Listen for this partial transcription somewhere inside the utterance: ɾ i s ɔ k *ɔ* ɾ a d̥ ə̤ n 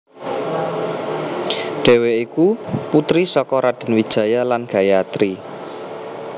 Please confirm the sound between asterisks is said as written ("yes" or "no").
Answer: yes